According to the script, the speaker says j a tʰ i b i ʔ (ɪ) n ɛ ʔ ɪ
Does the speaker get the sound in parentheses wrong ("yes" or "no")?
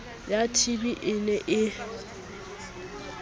no